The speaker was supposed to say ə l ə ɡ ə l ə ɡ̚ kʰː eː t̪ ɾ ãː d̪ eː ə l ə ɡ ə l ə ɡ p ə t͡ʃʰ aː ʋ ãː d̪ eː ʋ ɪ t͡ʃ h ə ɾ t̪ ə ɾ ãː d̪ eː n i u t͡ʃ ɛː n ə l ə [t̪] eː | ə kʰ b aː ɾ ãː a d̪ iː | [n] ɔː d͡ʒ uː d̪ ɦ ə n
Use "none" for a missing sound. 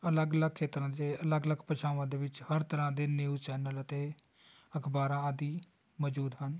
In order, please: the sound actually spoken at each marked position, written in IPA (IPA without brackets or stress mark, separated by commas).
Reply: t̪, m